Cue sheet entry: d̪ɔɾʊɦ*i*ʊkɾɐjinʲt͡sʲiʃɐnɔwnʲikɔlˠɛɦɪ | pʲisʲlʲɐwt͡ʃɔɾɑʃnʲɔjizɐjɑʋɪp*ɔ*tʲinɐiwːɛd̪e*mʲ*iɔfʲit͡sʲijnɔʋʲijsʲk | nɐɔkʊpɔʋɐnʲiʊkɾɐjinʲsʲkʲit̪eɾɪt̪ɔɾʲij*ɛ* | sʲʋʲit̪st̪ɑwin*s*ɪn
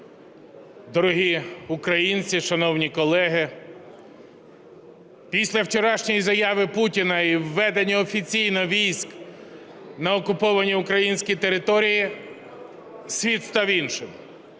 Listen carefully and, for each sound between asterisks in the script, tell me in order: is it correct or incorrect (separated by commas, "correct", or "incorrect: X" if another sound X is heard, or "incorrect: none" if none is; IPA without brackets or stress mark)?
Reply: correct, incorrect: u, incorrect: nʲ, incorrect: i, incorrect: ʃ